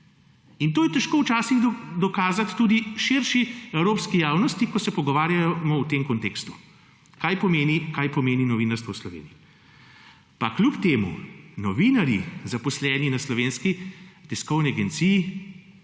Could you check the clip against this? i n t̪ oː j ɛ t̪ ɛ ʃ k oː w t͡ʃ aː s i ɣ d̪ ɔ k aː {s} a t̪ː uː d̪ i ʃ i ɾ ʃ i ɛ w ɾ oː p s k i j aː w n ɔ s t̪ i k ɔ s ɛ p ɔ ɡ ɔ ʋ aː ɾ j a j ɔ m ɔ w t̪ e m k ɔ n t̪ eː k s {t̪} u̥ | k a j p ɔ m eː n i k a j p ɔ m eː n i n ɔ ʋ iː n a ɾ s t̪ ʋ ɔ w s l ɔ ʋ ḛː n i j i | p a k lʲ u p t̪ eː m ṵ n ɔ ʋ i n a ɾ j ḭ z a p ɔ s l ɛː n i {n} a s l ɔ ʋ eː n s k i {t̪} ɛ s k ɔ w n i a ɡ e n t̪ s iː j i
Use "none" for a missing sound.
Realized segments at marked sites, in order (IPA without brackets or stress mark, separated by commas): z, t̪, n, t̪